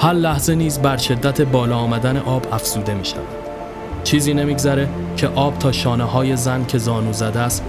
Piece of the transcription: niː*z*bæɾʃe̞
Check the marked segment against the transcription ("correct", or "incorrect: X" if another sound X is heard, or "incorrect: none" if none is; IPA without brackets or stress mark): correct